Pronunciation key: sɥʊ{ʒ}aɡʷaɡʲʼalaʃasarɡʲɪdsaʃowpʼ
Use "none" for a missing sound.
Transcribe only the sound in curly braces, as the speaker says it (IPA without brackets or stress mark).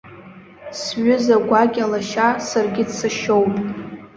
z